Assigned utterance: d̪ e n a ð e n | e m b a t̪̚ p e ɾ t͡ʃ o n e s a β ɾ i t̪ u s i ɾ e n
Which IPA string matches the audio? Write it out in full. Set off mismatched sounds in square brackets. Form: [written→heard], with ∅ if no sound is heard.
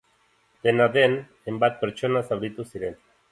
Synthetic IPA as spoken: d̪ e n a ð e n | e m b a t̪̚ p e ɾ t͡ʃ o n [e→a] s a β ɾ i t̪ u s i ɾ e n

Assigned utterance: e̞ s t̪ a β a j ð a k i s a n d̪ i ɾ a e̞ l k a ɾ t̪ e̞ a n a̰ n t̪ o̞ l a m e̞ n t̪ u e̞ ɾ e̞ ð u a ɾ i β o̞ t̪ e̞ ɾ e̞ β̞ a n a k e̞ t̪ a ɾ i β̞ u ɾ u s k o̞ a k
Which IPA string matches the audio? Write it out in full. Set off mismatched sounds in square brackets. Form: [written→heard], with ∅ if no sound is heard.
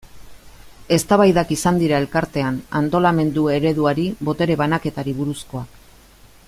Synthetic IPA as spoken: e̞ s t̪ a β a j ð a k i s a n d̪ i ɾ a e̞ l k a ɾ t̪ e̞ a n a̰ n t̪ o̞ l a m e̞ n [t̪→d̪] u e̞ ɾ e̞ ð u a ɾ i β o̞ t̪ e̞ ɾ e̞ β̞ a n a k e̞ t̪ a ɾ i β̞ u ɾ u s k o̞ a k

